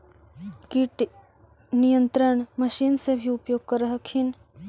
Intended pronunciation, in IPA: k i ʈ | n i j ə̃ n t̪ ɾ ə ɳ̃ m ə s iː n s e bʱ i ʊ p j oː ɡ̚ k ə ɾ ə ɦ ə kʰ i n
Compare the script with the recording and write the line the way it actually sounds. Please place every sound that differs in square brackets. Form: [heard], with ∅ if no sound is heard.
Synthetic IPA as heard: k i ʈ | n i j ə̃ n t̪ ɾ ə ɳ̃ m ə [ʃ] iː n s e bʱ i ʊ p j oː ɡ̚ k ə ɾ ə ɦ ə kʰ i n